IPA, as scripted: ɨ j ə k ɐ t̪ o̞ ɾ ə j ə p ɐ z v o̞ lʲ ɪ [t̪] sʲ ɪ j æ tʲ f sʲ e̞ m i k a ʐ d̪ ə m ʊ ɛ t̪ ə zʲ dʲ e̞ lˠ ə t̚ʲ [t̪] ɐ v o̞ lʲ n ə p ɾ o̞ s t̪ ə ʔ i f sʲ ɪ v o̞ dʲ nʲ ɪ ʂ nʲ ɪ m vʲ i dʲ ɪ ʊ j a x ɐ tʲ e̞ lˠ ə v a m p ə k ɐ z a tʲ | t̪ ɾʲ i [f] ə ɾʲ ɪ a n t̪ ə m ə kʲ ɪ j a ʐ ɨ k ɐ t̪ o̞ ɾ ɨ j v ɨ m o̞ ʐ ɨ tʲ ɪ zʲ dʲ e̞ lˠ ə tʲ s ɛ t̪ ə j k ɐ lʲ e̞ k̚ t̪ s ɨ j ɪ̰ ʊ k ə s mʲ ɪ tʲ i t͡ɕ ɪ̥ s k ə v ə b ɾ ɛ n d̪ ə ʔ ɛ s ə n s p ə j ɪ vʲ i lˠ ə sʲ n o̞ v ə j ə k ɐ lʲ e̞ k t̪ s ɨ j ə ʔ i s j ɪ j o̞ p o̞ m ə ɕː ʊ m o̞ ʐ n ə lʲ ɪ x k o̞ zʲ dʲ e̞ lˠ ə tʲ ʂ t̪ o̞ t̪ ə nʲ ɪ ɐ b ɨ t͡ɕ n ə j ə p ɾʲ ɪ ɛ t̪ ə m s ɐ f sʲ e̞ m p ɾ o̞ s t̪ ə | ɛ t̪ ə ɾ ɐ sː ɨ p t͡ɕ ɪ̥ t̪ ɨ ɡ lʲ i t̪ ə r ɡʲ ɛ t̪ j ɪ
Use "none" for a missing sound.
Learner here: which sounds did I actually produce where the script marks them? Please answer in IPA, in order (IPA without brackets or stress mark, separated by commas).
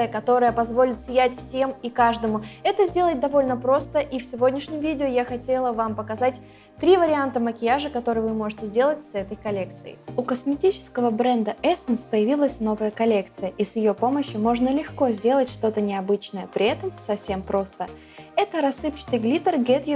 t̪, d̪, v